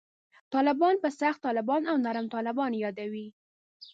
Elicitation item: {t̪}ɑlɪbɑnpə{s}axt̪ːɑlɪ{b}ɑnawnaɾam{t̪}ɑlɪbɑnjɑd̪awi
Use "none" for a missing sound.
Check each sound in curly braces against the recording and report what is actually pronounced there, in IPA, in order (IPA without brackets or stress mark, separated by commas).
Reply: t̪, s, b, t̪